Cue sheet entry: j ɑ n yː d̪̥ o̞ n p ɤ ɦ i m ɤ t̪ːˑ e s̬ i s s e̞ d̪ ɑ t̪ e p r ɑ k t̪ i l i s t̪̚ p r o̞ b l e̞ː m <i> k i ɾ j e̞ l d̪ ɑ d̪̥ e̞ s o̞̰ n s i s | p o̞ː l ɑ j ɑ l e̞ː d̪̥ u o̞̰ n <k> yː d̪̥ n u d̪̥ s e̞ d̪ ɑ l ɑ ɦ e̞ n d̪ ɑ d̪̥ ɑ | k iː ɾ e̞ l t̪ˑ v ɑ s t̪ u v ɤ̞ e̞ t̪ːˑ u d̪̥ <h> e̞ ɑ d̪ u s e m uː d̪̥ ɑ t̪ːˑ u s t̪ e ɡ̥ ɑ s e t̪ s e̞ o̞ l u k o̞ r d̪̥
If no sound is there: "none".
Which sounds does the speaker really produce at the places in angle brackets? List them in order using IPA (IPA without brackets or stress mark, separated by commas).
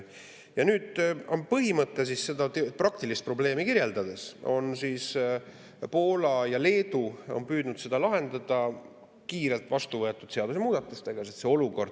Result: i, p, s